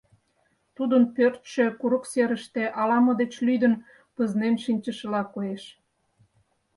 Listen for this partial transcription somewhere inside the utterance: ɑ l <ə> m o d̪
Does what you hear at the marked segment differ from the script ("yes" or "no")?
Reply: yes